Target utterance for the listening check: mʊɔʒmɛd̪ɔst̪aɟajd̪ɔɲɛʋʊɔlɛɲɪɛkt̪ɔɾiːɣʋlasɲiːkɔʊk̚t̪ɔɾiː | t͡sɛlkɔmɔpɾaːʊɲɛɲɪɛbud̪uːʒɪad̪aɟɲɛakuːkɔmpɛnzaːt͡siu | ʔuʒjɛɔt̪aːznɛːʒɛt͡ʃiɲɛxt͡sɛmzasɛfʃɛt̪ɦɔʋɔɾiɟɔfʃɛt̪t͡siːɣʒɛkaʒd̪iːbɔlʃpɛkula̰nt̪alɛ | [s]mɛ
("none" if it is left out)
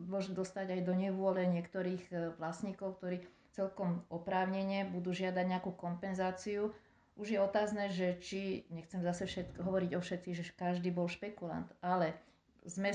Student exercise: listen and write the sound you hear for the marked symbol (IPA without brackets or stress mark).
z